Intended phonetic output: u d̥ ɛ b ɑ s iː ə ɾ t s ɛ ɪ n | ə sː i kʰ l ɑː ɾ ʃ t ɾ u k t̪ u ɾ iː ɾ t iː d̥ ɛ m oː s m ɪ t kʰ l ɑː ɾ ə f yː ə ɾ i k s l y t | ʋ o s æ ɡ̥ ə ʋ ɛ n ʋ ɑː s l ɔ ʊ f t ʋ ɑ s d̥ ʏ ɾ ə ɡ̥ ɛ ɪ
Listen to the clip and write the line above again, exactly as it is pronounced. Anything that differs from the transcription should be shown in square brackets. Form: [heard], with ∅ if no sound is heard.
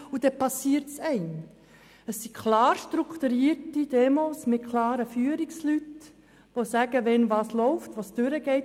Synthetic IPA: u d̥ ɛ [p] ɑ s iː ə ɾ t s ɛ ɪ n | ə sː i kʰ l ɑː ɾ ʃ t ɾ u k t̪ u ɾ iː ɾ t [i] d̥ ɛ m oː s m ɪ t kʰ l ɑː ɾ ə f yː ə ɾ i k s l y t | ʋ o s æ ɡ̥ ə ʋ ɛ n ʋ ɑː s l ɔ ʊ f t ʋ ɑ s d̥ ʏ ɾ ə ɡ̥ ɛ ɪ